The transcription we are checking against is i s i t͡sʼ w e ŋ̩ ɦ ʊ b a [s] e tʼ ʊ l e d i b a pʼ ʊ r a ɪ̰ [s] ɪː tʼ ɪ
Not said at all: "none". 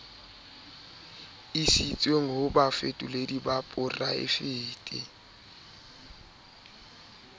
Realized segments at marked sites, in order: f, f

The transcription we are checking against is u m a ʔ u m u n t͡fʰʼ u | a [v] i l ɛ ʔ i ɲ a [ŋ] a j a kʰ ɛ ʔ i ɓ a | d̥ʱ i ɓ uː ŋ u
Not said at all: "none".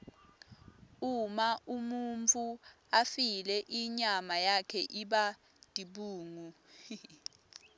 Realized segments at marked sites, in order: f, m

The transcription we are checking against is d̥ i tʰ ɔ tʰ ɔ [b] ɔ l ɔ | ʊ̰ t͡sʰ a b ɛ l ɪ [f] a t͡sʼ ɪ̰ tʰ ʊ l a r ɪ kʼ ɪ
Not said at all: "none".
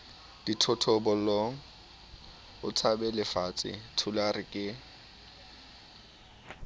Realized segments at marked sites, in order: b, f

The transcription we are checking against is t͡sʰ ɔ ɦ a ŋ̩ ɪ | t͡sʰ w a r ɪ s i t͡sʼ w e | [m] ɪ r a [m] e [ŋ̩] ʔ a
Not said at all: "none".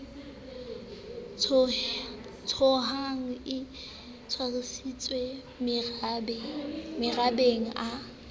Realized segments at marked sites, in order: m, b, ŋ̩

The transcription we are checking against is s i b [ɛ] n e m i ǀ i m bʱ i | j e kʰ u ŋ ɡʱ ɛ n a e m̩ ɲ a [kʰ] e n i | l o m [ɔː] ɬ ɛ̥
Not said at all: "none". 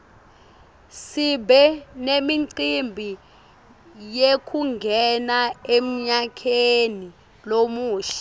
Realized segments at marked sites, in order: ɛ, kʰ, uː

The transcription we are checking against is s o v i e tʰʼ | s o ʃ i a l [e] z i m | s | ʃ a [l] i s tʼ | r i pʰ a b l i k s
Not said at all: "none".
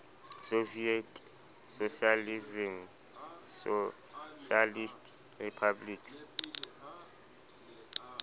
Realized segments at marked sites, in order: i, l

